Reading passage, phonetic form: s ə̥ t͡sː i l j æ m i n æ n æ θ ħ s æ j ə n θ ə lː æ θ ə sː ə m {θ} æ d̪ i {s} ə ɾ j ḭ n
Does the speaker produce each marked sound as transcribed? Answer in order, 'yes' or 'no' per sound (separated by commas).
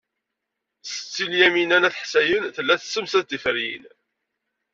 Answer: no, no